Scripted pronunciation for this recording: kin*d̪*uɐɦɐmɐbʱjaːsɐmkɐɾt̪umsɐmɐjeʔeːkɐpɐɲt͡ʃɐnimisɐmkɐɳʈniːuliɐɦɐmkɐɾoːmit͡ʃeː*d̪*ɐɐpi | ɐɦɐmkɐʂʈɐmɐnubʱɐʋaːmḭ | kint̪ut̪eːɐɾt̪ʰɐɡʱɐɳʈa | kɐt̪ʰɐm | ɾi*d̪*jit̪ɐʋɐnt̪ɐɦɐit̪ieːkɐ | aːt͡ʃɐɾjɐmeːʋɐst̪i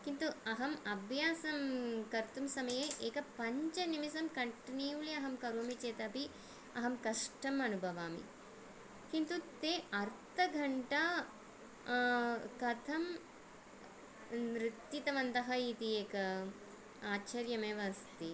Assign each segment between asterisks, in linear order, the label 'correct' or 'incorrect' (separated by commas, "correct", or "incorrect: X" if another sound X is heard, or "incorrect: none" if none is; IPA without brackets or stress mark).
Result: incorrect: t̪, incorrect: t̪, incorrect: t̪